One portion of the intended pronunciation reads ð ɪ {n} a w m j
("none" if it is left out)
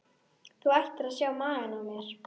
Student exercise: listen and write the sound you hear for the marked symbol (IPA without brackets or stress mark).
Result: n